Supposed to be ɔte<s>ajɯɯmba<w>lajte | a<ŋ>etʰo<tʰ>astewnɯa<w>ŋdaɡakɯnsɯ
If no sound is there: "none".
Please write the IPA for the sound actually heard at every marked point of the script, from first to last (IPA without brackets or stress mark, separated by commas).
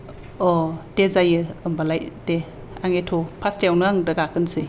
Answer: z, none, ŋ, pʰ, none